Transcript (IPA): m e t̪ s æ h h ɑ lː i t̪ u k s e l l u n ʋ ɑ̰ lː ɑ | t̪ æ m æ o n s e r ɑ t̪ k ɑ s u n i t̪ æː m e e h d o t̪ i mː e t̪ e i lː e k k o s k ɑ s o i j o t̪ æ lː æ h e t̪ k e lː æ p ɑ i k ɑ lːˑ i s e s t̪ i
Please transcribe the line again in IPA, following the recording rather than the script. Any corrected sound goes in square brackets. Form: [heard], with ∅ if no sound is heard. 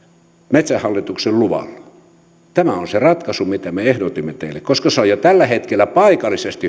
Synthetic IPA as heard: m e t̪ s æ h h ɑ lː i t̪ u k s e l l u [∅] ʋ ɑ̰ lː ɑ | t̪ æ m æ o n s e r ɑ t̪ k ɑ s u [m] i t̪ [æ] m e e h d o t̪ i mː e t̪ e i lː e k k o s k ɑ s o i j o t̪ æ lː æ h e t̪ k e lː æ p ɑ i k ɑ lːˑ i s e s t̪ i